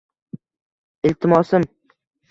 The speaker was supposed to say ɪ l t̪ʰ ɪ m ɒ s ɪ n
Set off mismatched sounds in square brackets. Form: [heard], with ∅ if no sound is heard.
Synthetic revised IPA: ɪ l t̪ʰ ɪ m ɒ s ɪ [m]